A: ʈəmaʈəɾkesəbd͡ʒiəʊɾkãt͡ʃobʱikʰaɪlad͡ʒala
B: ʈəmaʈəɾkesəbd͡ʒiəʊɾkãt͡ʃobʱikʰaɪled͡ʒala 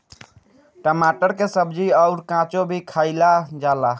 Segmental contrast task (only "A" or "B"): A